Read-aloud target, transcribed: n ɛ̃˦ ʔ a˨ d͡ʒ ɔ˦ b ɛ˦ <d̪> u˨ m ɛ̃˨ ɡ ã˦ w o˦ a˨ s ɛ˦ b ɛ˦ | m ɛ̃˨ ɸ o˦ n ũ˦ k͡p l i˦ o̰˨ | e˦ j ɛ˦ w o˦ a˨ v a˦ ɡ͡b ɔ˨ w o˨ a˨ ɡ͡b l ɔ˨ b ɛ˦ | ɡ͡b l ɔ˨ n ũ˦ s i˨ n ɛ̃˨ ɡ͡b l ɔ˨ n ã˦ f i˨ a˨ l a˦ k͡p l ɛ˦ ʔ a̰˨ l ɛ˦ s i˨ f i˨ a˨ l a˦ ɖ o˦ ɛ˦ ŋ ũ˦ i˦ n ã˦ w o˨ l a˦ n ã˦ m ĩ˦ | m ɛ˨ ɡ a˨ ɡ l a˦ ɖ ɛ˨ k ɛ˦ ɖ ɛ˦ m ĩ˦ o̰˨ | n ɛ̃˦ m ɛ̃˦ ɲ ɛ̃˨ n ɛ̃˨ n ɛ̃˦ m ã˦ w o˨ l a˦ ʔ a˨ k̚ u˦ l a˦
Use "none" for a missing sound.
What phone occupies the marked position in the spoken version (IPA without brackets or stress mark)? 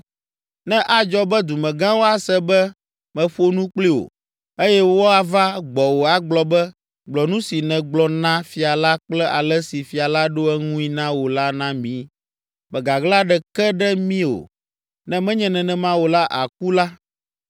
d̪